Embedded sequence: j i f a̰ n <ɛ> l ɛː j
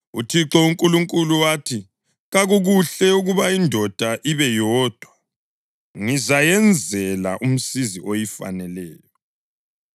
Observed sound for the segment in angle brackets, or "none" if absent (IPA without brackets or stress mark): ɛ